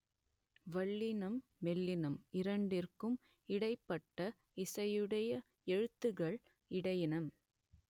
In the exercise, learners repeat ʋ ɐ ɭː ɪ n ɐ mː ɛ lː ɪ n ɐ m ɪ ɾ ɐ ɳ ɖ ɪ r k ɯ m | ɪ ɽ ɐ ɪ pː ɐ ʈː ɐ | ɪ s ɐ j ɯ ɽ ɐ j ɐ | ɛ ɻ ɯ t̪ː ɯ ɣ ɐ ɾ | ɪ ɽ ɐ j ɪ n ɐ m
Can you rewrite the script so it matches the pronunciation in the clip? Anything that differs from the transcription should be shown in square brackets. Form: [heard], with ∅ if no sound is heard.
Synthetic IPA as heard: ʋ ɐ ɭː ɪ n ɐ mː ɛ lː ɪ n ɐ m ɪ ɾ ɐ ɳ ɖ ɪ r k ɯ m | ɪ ɽ ɐ ɪ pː ɐ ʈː ɐ | ɪ s ɐ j ɯ ɽ ɐ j ɐ | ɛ ɻ ɯ t̪ː ɯ ɣ ɐ [ɭ] | ɪ ɽ ɐ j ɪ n ɐ m